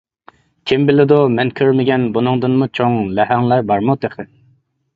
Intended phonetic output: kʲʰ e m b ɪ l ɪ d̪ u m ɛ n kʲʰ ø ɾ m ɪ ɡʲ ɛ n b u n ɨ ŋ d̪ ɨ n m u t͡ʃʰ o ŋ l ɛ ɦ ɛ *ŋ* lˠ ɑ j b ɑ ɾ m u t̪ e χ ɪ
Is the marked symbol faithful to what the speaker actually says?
yes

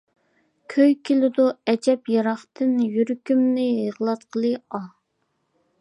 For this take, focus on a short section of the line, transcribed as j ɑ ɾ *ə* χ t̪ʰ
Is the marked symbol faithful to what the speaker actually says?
no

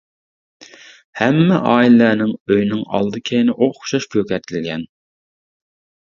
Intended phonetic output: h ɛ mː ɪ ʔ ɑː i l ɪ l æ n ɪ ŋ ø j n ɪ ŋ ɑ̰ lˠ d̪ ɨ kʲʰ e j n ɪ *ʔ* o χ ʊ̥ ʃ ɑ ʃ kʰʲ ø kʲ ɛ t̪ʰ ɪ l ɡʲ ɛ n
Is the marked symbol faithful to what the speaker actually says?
yes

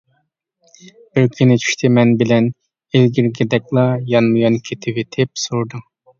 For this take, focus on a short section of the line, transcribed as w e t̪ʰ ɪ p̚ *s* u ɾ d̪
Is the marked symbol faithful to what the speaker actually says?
yes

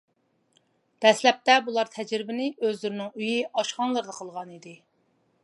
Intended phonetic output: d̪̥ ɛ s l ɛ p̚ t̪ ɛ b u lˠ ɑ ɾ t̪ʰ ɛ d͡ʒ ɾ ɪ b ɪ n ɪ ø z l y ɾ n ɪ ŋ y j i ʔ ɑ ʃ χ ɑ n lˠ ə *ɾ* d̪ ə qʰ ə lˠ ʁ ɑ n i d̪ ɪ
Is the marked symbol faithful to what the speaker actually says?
yes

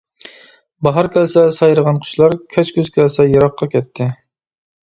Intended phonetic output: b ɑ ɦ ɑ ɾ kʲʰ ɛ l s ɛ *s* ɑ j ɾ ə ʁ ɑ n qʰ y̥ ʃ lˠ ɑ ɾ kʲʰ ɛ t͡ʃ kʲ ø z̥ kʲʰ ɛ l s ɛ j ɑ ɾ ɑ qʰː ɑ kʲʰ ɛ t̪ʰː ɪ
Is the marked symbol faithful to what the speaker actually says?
yes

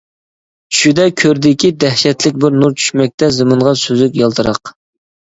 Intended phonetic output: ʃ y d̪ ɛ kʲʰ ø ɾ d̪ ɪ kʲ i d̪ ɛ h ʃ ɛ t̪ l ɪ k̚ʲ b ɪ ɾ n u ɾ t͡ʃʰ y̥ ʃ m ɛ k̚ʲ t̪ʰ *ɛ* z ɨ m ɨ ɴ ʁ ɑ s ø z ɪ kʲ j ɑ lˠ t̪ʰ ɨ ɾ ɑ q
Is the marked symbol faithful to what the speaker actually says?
yes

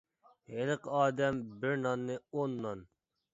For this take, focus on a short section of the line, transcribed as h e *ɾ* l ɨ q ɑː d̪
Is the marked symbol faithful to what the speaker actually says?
no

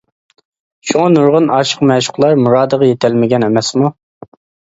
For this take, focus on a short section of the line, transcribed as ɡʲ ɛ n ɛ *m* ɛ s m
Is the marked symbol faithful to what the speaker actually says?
yes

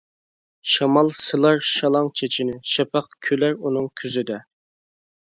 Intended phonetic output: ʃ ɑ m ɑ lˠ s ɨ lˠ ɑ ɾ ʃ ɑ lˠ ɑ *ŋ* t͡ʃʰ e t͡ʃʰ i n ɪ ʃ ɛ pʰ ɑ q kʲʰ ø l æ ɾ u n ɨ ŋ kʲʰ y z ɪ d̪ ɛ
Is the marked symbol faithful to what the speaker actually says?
yes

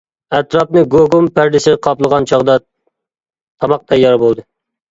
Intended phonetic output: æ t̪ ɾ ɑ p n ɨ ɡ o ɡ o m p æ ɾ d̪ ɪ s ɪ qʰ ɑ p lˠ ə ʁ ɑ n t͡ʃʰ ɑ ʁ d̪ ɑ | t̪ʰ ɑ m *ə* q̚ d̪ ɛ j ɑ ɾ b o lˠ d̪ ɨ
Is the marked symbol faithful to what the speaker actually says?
no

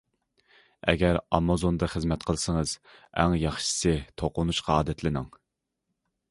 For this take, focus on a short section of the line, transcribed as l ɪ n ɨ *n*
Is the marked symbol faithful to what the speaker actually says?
no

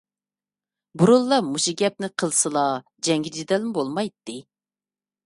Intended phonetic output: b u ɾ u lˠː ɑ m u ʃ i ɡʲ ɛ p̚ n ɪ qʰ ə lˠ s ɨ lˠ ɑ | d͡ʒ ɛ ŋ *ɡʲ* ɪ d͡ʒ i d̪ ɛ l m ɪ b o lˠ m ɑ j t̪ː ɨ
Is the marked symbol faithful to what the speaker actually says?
yes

